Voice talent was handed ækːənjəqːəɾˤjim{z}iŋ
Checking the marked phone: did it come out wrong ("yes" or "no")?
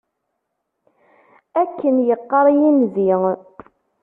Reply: no